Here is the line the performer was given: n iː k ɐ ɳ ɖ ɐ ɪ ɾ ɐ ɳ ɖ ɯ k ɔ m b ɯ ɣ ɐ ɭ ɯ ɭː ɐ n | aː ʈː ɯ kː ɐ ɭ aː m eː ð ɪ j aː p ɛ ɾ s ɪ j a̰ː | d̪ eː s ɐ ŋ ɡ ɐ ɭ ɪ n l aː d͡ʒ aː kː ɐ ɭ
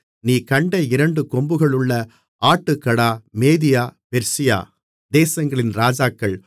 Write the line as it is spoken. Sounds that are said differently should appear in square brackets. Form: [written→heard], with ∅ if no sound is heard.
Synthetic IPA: n iː k ɐ ɳ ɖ ɐ ɪ ɾ ɐ ɳ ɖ ɯ k ɔ m b ɯ ɣ ɐ ɭ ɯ ɭː ɐ [n→∅] | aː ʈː ɯ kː ɐ [ɭ→ɽ] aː m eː ð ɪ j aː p ɛ ɾ s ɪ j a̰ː | d̪ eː s ɐ ŋ ɡ ɐ ɭ ɪ n [l→ɾ] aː d͡ʒ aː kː ɐ ɭ